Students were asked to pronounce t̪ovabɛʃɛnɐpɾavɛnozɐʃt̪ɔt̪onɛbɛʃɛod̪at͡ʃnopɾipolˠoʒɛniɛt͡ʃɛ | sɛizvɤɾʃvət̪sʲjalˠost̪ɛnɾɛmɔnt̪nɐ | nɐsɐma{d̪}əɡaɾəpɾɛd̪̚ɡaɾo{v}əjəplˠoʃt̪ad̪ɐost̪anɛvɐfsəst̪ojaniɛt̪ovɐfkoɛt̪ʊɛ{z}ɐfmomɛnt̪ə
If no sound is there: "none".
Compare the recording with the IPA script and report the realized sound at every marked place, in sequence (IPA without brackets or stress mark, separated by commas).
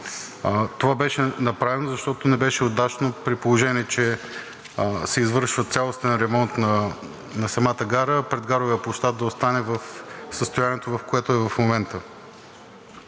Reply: t̪, v, v